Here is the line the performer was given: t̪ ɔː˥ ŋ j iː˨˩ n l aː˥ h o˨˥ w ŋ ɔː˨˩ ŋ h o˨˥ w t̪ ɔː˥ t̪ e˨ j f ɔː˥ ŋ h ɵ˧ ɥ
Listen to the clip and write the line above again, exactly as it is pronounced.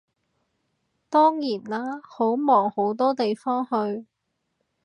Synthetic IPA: t̪ ɔː˥ ŋ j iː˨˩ n l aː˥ h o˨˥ w m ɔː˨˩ ŋ h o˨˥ w t̪ ɔː˥ t̪ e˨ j f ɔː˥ ŋ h ɵ˧ ɥ

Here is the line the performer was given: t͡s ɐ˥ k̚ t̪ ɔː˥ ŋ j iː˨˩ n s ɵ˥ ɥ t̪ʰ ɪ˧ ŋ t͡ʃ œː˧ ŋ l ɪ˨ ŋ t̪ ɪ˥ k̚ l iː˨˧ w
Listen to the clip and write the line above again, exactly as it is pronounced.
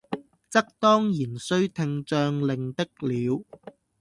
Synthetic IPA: t͡s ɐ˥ k̚ t̪ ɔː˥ ŋ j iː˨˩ n s ɵ˥ ɥ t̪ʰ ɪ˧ ŋ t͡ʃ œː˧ ŋ l ɪ˨ ŋ t̪ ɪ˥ k̚ l iː˨˧ w

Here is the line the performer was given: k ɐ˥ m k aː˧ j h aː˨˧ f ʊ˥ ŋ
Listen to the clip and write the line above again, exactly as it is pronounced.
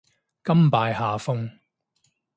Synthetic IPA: k ɐ˥ m p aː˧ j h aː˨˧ f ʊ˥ ŋ

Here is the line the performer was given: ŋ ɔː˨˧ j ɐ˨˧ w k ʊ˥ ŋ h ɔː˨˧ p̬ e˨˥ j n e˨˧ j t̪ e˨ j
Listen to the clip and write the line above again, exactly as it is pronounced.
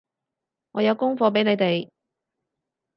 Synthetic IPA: ŋ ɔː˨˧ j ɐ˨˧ w k ʊ˥ ŋ f ɔː˨˧ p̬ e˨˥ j n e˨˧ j t̪ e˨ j

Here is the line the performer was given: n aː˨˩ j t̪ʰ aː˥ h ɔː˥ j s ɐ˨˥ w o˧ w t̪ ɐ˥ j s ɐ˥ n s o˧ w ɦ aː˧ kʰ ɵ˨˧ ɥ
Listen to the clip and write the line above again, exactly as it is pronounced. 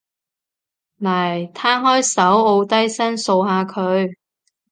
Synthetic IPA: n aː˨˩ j t̪ʰ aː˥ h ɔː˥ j s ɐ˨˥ w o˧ w t̪ ɐ˥ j s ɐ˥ n s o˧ w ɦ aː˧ kʰ ɵ˨˧ ɥ

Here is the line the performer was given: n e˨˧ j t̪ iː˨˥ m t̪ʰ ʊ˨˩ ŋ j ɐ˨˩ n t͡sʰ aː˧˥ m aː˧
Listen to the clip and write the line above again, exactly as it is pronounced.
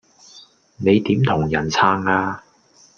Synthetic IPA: n e˨˧ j t̪ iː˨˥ m t̪ʰ ʊ˨˩ ŋ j ɐ˨˩ n t͡sʰ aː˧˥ ŋ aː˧

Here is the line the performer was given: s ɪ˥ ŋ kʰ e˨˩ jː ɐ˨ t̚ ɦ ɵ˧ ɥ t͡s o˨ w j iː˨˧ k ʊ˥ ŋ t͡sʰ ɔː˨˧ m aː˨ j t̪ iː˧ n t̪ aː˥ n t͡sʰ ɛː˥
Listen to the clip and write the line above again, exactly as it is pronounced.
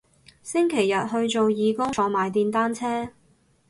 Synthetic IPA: s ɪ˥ ŋ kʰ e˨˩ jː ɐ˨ t̚ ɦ ɵ˧ ɥ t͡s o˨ w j iː˨˧ k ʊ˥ ŋ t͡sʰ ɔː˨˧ m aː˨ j t̪ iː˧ n t̪ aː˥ n t͡sʰ ɛː˥

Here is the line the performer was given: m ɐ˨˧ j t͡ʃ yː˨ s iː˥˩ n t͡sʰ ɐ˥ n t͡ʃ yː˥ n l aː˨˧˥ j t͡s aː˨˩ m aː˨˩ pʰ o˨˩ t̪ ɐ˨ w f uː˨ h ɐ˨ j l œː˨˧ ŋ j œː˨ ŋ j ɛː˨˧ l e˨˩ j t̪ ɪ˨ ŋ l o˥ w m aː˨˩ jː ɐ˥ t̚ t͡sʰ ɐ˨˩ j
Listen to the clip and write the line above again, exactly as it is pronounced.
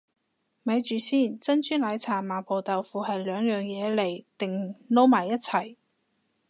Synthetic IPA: m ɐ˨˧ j t͡ʃ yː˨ s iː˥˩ n t͡s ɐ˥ n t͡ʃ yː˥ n l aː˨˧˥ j t͡sʰ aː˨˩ m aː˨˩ pʰ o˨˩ t̪ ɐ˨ w f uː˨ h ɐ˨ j l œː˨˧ ŋ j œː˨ ŋ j ɛː˨˧ l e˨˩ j t̪ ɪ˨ ŋ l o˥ w m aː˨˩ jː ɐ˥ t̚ t͡sʰ ɐ˨˩ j

